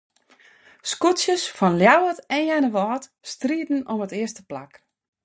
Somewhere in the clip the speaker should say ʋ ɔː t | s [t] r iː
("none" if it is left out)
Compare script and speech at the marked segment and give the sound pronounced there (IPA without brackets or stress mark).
t